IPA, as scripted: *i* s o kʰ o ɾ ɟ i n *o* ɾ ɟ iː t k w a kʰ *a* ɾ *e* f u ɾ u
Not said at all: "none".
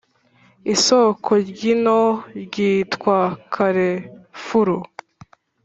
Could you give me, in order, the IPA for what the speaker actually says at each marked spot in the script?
i, o, a, e

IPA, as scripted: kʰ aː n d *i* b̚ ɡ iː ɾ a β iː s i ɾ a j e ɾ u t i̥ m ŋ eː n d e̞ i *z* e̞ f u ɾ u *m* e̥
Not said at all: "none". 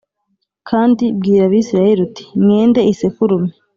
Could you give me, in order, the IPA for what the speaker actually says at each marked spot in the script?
i, s, m

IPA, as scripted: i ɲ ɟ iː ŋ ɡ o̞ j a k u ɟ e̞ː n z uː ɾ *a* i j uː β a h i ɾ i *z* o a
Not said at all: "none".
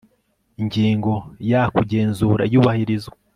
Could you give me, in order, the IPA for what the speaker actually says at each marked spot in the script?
a, z

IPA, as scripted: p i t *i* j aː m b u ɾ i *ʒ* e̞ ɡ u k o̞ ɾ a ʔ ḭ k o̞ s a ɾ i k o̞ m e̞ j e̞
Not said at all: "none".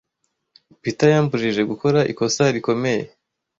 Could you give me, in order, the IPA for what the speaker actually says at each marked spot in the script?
a, ʒ

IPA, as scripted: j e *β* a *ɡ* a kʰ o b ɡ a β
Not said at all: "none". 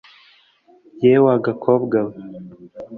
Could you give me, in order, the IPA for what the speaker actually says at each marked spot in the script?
w, ɡ

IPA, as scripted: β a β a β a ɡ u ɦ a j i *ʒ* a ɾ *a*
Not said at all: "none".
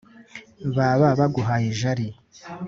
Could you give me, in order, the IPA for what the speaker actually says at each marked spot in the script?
ʒ, i

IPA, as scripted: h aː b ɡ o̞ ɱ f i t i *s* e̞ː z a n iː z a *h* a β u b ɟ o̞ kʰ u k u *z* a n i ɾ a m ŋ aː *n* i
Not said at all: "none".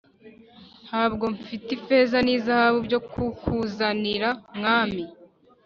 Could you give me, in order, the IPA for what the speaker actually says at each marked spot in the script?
f, h, z, m

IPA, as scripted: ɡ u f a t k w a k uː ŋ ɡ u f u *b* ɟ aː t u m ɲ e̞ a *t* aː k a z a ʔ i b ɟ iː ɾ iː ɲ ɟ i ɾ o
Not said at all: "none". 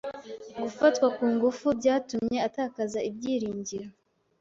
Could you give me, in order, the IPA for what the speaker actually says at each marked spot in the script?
b, t

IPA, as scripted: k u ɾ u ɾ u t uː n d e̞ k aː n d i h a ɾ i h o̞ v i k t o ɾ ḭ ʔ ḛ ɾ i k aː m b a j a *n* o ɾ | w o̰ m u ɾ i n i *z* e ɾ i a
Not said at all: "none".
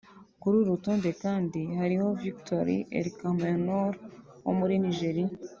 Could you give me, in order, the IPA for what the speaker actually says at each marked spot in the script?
n, ʒ

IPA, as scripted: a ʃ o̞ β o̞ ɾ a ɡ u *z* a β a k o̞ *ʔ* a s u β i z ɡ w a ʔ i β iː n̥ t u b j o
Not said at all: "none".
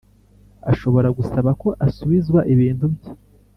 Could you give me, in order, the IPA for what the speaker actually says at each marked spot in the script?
s, ʔ

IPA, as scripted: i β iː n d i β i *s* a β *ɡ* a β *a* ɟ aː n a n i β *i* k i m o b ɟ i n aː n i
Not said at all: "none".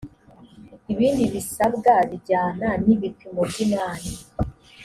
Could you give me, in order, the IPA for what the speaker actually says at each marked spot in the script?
s, ɡ, i, i

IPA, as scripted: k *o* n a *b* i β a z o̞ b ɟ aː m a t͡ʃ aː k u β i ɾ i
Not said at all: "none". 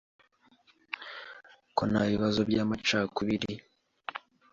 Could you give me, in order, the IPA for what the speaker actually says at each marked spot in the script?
o, β

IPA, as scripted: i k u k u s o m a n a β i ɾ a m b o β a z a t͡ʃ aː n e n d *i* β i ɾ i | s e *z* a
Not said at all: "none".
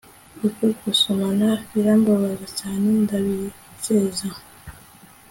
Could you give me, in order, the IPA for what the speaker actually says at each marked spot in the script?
a, z

